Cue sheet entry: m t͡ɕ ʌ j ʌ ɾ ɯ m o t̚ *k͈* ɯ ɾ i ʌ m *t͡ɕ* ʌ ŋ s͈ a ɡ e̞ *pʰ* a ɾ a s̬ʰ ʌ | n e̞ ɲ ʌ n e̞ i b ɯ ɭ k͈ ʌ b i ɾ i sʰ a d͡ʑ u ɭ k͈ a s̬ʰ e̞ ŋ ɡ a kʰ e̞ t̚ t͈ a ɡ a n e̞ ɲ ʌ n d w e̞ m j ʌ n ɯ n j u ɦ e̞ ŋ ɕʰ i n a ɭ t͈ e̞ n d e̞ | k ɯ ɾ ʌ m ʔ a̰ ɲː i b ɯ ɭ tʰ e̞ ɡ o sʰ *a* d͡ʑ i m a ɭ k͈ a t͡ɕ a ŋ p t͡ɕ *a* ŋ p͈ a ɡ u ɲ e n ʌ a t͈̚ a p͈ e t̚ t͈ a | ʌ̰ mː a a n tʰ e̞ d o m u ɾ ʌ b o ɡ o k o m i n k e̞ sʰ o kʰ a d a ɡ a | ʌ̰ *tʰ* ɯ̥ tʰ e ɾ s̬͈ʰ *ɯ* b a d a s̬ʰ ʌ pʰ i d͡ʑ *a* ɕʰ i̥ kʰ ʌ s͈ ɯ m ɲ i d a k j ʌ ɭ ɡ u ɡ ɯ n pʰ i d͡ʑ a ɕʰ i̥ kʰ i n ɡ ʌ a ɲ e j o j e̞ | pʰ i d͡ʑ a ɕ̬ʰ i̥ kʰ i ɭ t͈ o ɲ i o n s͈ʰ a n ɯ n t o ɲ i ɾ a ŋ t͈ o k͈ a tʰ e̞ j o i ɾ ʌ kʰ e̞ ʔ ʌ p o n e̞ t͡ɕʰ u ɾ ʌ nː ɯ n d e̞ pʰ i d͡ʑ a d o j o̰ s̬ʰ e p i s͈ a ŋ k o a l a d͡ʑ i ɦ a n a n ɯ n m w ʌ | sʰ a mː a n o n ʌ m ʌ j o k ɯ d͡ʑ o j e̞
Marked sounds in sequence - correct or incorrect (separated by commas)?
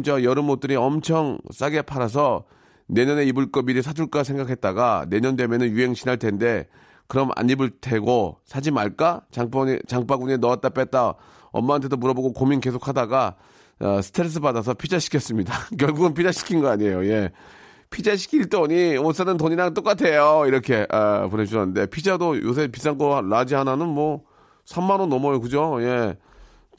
incorrect, incorrect, correct, correct, correct, incorrect, correct, correct